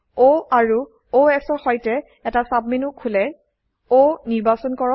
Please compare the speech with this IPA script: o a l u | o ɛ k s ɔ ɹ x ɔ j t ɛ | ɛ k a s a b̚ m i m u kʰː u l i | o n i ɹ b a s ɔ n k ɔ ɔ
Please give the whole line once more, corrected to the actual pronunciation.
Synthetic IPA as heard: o a ɹ u | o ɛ k s ɔ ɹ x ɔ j t ɛ | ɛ t a s a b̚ m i n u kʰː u l ɛ | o n i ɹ b a s ɔ n k ɔ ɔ

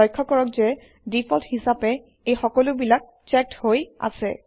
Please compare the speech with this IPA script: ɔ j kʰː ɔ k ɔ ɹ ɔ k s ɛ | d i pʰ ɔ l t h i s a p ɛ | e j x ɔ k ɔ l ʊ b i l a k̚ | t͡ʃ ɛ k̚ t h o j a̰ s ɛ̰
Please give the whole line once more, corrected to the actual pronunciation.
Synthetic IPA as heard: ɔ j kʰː ɔ k ɔ ɹ ɔ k z ɛ | d i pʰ ɔ l t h i s a p ɛ | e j x ɔ k ɔ l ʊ b i l a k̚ | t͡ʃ ɛ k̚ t h o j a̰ s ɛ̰

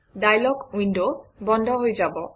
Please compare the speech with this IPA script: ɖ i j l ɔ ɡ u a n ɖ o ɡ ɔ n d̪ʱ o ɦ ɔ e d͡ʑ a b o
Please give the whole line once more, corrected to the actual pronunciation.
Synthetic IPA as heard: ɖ a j l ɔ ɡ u i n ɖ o b ɔ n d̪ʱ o ɦ o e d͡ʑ a b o

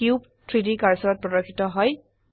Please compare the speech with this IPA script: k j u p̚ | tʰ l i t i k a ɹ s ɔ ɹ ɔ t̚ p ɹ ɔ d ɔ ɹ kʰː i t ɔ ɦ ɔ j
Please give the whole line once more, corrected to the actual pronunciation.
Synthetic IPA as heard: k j u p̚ | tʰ ɹ i d i k a ɹ s ɔ ɹ ɔ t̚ p ɹ ɔ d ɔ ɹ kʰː i t ɔ ɦ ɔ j

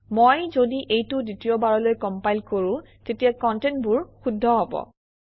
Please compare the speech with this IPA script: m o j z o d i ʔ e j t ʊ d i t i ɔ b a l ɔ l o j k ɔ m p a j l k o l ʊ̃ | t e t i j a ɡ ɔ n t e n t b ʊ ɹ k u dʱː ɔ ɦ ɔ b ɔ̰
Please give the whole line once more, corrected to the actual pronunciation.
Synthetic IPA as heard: m o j z o d i ʔ e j t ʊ d i t i ɔ b a ɹ ɔ l o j k ɔ m p a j l k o ɹ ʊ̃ | t e t i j a k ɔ n t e n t b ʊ ɹ x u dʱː ɔ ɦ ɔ b ɔ̰

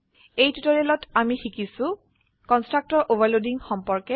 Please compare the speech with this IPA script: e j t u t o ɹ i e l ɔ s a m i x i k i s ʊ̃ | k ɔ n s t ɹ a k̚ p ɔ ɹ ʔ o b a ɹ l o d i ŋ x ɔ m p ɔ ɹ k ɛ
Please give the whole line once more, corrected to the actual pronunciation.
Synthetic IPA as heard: e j t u t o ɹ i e l ɔ t a m i x i k i s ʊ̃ | k ɔ n s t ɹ a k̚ t ɔ ɹ ʔ o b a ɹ l o d i ŋ x ɔ m p ɔ ɹ k ɛ

